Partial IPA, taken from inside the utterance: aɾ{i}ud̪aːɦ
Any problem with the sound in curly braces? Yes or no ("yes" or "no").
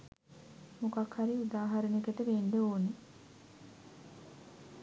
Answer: no